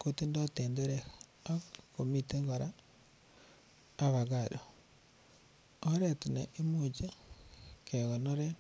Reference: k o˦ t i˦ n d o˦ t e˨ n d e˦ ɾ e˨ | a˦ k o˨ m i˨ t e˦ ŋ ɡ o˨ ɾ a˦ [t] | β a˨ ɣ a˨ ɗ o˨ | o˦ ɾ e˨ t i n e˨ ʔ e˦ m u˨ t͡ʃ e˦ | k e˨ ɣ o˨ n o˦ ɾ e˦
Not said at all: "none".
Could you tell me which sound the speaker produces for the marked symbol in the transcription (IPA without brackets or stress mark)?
none